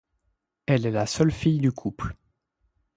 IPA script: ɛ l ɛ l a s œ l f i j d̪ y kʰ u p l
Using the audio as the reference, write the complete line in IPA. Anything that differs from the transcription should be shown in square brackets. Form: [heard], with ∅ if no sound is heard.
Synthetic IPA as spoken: ɛ l ɛ l a s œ l f i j d̪ y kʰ u p l